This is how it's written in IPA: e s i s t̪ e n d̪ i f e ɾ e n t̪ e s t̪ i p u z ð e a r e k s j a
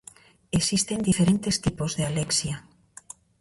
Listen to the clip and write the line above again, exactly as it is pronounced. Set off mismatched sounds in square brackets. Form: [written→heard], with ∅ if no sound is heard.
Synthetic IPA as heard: e s i s t̪ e n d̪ i f e ɾ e n t̪ e s t̪ i p [u→o] z ð e a [r→l] e k s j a